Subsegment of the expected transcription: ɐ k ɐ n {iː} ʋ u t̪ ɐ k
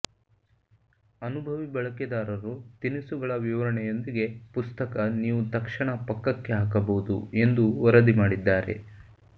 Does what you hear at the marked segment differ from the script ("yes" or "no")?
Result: no